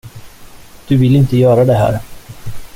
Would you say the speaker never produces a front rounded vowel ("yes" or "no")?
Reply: no